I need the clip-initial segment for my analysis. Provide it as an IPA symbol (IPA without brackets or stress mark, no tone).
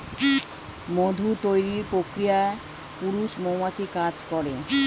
m